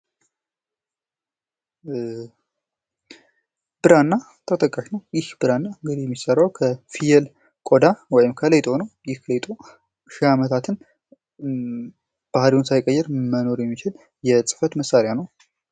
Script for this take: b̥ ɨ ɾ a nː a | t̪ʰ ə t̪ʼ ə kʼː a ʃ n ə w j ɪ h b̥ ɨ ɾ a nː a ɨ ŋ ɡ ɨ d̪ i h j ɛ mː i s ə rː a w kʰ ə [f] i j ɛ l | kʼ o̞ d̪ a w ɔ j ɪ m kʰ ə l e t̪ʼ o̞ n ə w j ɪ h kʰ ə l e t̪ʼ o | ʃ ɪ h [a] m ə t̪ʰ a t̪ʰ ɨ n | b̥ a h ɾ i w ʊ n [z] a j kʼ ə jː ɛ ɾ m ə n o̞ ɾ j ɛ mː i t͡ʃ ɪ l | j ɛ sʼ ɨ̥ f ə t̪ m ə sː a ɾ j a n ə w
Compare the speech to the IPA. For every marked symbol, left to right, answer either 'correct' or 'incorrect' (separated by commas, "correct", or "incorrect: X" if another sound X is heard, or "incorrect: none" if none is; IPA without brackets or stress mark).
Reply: correct, correct, incorrect: s